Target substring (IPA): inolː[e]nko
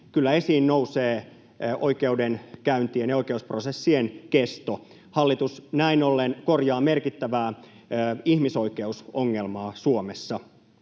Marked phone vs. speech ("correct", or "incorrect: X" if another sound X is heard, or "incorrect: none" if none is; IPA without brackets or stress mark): correct